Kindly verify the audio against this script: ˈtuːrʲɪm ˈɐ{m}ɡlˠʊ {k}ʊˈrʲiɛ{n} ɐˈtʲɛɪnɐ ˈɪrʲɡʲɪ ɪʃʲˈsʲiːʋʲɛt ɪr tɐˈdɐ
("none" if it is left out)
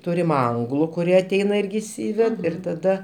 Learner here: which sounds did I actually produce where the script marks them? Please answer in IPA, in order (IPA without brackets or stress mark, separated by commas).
ŋ, k, none